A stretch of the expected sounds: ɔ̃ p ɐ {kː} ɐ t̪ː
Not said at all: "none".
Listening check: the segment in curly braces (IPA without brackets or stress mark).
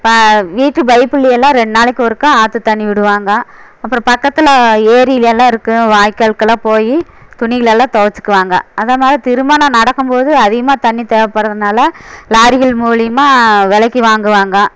kː